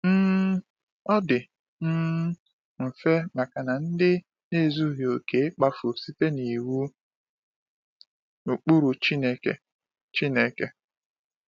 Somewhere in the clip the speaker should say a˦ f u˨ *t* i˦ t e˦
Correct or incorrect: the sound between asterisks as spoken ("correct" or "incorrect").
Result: incorrect